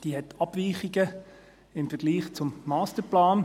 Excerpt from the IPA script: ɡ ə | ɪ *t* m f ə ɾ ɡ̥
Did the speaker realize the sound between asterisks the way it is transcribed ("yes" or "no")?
no